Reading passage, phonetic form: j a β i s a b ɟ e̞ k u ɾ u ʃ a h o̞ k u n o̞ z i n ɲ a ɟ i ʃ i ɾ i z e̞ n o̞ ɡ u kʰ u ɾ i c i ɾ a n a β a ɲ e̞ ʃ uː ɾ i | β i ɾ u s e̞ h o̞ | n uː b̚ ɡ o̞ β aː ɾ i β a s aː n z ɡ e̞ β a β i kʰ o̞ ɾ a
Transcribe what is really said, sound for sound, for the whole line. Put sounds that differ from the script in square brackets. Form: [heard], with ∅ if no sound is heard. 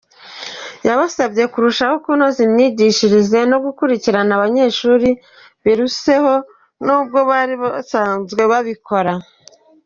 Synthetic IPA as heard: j a β [a] s a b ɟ e̞ k u ɾ u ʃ a h o̞ k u n o̞ z i [m] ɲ [i] ɟ i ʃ i ɾ i z e̞ n o̞ ɡ u [k] u ɾ i c i ɾ a n a β a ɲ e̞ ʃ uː ɾ i | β i ɾ u s e̞ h o̞ | n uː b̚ ɡ o̞ β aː ɾ i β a s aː n z ɡ e̞ β a β i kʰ o̞ ɾ a